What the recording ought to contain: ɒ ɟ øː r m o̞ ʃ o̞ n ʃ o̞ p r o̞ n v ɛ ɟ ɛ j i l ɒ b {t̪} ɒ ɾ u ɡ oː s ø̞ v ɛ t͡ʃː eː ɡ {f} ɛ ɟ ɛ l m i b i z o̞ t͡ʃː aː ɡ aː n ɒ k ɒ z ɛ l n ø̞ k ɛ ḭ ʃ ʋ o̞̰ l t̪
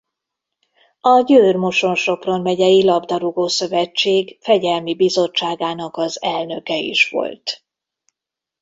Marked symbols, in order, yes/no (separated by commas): no, yes